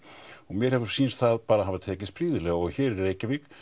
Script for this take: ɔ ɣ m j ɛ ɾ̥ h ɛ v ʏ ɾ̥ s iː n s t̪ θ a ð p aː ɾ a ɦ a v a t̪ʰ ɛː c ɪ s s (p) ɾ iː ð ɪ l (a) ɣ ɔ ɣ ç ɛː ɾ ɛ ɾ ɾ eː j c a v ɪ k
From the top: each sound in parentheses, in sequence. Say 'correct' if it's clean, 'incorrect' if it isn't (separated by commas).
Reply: correct, incorrect